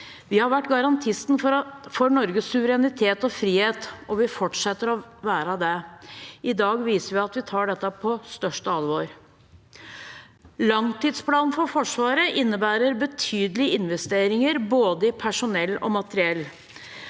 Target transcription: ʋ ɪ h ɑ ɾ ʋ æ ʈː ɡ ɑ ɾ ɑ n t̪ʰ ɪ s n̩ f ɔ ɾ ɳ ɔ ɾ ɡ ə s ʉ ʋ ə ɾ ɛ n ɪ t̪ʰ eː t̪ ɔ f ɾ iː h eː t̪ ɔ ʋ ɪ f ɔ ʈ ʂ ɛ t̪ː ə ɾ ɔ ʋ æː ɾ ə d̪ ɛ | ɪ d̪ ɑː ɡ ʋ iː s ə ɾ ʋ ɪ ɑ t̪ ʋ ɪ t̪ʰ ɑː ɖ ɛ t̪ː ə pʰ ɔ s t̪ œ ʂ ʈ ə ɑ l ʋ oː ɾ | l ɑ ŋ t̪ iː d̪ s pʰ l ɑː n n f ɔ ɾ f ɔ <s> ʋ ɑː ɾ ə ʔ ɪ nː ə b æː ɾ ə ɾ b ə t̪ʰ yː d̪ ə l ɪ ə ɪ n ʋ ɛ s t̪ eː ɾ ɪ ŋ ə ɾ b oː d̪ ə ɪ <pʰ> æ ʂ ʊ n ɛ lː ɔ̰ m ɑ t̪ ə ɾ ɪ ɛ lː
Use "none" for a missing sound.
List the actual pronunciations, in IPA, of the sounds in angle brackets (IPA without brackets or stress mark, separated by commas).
ʂ, pʰ